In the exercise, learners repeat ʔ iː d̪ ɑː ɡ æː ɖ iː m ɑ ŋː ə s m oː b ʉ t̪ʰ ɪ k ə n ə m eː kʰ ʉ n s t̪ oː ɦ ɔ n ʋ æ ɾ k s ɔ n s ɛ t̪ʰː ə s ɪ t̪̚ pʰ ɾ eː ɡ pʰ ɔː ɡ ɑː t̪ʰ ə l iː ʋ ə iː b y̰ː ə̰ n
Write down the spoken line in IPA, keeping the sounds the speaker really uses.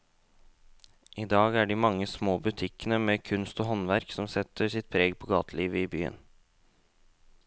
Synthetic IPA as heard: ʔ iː d̪ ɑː ɡ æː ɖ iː m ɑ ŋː ə s m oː b ʉ t̪ʰ ɪ k ə n ə m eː kʰ ʉ n s t̪ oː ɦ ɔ n ʋ æ ɾ k s ɔ m s ɛ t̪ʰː ə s ɪ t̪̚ pʰ ɾ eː ɡ pʰ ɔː ɡ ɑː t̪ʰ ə l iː ʋ ə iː b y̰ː ə̰ n